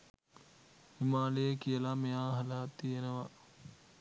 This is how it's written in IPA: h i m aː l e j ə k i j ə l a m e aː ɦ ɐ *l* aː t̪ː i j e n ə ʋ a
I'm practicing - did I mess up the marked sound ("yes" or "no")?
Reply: no